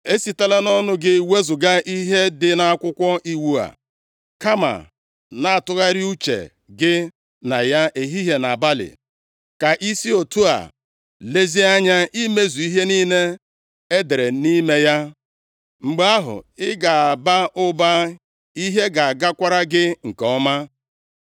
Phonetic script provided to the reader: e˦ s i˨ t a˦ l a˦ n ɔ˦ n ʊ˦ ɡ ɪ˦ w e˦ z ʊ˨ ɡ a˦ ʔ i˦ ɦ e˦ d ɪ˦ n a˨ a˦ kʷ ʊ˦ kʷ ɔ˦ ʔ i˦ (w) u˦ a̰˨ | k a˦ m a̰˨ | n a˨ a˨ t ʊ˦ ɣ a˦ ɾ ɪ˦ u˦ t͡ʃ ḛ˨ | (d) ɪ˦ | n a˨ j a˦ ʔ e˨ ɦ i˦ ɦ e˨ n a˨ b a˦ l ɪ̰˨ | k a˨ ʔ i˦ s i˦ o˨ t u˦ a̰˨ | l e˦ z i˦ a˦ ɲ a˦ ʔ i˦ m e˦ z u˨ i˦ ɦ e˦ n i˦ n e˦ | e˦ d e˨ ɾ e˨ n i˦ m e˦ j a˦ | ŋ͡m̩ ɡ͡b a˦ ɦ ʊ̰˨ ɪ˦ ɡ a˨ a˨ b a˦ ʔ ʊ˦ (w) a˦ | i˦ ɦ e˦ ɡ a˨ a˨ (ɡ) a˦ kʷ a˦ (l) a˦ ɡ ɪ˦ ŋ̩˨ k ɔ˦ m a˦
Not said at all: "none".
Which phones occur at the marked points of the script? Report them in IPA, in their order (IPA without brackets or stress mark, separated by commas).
w, ɡ, b, ɡ, ɾ